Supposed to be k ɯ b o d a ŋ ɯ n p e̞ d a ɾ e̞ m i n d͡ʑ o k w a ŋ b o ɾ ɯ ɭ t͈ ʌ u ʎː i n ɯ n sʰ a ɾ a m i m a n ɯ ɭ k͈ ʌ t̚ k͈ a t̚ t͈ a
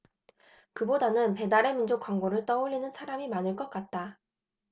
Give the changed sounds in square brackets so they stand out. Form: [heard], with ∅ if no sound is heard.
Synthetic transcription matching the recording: k ɯ b o d a [n] ɯ n p e̞ d a ɾ e̞ m i n d͡ʑ o k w a ŋ [ɡ] o ɾ ɯ ɭ t͈ ʌ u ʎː i n ɯ n sʰ a ɾ a m i m a n ɯ ɭ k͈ ʌ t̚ k͈ a t̚ t͈ a